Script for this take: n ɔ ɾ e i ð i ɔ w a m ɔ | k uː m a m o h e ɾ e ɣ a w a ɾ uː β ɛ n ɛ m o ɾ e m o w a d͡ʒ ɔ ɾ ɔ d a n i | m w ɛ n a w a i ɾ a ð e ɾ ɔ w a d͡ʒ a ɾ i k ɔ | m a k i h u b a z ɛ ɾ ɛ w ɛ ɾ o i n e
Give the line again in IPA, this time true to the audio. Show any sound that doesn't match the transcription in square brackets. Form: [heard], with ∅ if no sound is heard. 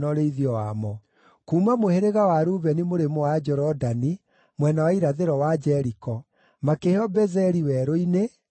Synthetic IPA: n ɔ ɾ e i ð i ɔ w a m ɔ | k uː m a m o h e ɾ e ɣ a w a ɾ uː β ɛ n [i] m o ɾ e m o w a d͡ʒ ɔ ɾ ɔ d a n i | m w ɛ n a w a i ɾ a ð e ɾ ɔ w a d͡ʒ [ɛ] ɾ i k ɔ | m a k [e] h [ɔ] b [ɛ] z ɛ ɾ [i] w ɛ ɾ o i n e